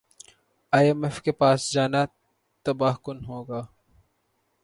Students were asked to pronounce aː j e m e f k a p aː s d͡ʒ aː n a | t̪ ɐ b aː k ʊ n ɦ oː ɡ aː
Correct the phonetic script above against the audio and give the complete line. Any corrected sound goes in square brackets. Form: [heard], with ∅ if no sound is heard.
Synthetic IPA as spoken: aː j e m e f k [e] p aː s d͡ʒ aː n a | t̪ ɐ b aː k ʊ n ɦ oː ɡ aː